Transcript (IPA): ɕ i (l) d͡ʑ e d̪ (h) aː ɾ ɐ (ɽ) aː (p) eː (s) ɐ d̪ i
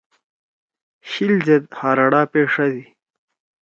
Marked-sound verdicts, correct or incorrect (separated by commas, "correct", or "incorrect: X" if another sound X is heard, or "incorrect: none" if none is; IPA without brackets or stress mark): correct, correct, correct, correct, incorrect: ʂ